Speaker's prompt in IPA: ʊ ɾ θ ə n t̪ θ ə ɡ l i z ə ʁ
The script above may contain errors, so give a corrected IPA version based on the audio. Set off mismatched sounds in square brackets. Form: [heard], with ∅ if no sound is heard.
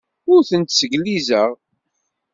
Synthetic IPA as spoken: ʊ ɾ θ ə n t̪ [s] ə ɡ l i z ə ʁ